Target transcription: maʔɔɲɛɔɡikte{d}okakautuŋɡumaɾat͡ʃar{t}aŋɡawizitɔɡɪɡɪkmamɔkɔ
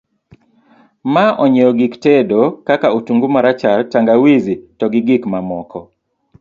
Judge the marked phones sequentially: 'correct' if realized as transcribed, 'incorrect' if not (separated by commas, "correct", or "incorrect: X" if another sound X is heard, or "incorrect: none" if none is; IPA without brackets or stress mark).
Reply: correct, correct